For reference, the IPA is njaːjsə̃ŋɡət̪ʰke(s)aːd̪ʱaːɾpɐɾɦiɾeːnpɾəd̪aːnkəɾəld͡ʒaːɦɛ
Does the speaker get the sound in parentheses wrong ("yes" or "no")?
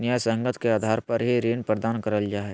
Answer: yes